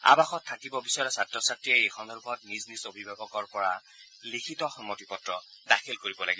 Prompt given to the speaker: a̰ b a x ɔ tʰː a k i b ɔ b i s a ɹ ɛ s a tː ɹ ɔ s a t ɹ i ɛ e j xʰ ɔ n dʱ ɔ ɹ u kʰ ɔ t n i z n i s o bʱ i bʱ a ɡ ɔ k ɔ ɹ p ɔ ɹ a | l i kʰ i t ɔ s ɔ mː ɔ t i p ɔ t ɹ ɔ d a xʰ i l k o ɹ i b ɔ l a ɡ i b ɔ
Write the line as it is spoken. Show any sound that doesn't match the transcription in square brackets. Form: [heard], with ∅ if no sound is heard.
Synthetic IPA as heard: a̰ b a x ɔ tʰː a k i b ɔ b i s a ɹ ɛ s a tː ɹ ɔ s a t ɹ i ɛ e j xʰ ɔ n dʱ ɔ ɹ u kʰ ɔ t n i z n i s o bʱ i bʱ a ɡ ɔ k ɔ ɹ p ɔ ɹ a | l i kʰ i t ɔ [x] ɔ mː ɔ t i p ɔ t ɹ ɔ d a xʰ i l k o ɹ i b ɔ l a ɡ i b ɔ